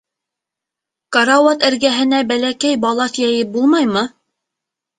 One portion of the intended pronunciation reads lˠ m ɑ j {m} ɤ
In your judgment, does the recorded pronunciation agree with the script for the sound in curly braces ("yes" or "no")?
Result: yes